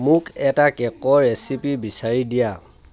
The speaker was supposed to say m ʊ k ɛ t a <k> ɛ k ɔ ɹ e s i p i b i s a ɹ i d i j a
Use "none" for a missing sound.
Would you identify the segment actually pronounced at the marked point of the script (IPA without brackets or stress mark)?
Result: k